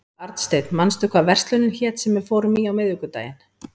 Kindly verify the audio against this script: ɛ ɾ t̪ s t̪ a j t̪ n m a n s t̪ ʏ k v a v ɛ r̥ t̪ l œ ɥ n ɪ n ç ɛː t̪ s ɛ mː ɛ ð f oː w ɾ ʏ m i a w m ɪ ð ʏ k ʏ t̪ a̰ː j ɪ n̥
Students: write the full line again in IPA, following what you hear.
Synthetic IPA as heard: a ɾ t̪ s t̪ e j t̪ n m a n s t̪ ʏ k v a v ɛ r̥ t̪ l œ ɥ n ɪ n ç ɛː t̪ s ɛ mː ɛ ð f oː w ɾ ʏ m i a w m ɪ ð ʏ k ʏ t̪ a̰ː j ɪ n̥

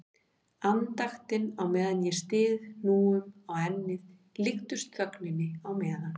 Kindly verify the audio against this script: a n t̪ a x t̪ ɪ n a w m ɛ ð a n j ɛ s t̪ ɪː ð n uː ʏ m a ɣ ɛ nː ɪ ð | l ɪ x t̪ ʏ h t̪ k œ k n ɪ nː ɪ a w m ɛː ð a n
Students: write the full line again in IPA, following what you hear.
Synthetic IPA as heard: a n t̪ a x t̪ ɪ n a w m ɛː ð a n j ɛ s t̪ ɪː ð n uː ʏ m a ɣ ɛ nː ɪ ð | l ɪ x t̪ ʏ s t̪ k œ k n ɪ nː ɪ a w m ɛː ð a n

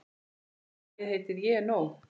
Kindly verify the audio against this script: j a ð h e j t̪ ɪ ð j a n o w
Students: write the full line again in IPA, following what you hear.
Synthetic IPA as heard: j ɛ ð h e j t̪ ɪ ð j ɛ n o w

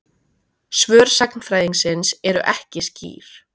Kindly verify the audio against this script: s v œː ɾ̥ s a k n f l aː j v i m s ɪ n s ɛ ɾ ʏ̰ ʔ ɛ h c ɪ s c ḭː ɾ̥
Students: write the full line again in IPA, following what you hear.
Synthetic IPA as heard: s v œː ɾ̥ s a k n f ɾ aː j ð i ŋ s ɪ n s ɛ ɾ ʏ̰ ʔ ɛ h c ɪ s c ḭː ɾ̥

